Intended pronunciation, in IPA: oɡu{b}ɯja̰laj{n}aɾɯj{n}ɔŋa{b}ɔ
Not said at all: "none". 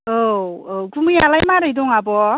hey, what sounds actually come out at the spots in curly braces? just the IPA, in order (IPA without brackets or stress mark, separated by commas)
m, m, d, b